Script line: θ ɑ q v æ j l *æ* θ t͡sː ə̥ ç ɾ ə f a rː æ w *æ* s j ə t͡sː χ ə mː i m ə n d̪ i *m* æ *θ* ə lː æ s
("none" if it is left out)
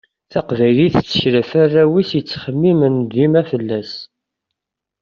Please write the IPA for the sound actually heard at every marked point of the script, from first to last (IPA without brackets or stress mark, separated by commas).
i, i, m, f